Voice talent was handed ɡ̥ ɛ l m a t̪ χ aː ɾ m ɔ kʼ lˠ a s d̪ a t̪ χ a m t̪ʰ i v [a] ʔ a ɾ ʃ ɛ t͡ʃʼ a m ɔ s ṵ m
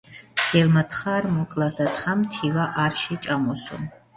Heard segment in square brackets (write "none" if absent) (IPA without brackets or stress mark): a